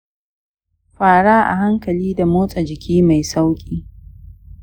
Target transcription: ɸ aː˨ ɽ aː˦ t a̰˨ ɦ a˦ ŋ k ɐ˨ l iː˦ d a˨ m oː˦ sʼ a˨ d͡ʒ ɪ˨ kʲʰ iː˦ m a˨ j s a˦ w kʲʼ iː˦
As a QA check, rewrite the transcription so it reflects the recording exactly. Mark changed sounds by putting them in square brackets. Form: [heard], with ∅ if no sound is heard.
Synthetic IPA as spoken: ɸ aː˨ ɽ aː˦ [ʔ] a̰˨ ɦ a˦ ŋ k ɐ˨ l iː˦ d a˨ m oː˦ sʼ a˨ d͡ʒ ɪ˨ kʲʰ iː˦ m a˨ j s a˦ w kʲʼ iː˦